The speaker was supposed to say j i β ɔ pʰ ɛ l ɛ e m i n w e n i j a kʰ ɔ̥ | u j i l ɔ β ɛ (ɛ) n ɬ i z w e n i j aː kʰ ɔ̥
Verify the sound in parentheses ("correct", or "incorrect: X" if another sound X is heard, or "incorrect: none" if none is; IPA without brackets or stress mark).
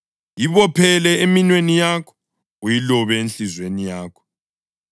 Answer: incorrect: e